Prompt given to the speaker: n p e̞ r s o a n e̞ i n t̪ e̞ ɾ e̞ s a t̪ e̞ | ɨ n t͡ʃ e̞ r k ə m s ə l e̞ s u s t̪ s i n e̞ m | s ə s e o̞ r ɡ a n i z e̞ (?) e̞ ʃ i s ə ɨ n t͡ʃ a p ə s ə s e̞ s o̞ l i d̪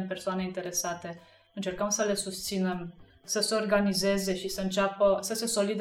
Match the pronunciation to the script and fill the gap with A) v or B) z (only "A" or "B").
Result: B